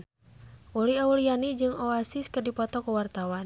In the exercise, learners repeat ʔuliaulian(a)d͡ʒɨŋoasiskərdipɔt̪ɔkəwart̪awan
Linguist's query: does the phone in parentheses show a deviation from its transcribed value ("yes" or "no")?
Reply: yes